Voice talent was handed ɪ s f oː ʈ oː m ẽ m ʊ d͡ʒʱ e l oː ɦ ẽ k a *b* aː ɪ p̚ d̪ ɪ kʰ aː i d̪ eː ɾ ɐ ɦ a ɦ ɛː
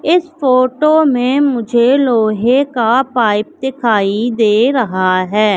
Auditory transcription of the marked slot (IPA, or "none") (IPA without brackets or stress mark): p